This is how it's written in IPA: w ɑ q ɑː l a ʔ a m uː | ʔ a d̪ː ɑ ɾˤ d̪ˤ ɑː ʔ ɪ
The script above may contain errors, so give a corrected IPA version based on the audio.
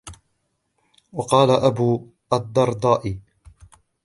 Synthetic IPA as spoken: w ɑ q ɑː l a ʔ a b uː | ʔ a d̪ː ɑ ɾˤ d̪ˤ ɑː ʔ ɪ